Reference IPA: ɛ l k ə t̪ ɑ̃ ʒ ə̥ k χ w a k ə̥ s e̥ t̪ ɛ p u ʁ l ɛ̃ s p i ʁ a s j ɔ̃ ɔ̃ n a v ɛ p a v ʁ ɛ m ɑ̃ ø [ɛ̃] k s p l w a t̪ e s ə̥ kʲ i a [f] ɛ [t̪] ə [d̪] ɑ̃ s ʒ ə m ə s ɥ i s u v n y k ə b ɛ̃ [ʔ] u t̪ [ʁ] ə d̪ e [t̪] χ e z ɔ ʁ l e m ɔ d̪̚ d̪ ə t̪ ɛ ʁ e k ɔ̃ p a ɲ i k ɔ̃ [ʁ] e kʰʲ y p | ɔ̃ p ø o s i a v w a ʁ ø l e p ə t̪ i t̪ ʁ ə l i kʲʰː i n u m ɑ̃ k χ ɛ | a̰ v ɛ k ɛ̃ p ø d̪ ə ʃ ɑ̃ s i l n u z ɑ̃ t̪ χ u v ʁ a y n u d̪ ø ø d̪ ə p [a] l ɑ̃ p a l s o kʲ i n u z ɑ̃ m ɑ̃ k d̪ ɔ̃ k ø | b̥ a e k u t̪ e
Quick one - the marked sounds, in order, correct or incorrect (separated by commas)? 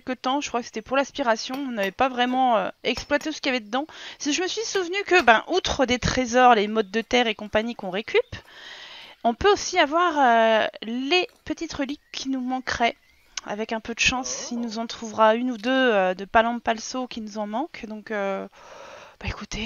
incorrect, incorrect, incorrect, correct, correct, incorrect, correct, correct, correct